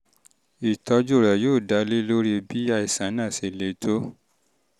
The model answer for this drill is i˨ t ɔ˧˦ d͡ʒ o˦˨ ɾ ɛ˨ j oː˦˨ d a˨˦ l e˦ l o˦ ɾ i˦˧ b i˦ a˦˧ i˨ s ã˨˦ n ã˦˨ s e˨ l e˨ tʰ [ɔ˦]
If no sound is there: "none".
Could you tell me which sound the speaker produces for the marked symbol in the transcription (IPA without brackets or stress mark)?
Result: o˦